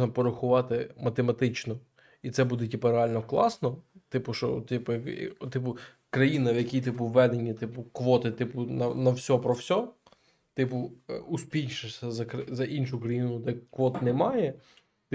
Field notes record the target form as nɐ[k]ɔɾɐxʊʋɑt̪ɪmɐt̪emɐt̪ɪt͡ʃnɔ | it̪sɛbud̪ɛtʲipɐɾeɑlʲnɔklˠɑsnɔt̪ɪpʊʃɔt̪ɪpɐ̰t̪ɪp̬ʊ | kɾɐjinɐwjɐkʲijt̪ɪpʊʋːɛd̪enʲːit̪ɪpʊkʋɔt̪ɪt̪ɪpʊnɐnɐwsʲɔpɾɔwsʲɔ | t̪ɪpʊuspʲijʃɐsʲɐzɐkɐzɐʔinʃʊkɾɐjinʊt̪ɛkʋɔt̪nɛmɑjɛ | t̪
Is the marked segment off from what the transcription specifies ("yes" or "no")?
yes